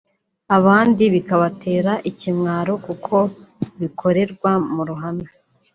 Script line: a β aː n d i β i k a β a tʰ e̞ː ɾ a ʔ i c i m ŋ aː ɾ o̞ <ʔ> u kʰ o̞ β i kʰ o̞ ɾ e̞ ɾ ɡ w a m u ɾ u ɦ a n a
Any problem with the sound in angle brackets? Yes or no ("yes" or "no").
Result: yes